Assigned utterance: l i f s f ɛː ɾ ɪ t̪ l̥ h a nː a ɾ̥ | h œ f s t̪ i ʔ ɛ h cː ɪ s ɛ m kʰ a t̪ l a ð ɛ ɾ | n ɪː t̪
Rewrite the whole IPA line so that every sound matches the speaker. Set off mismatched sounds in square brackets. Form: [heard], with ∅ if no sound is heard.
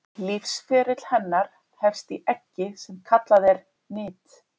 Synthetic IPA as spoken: l i f s f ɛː ɾ ɪ t̪ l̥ h [ɛ] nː a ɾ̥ | h [ɛ] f s t̪ i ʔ ɛ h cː ɪ s ɛ m kʰ a t̪ l a ð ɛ ɾ | n ɪː t̪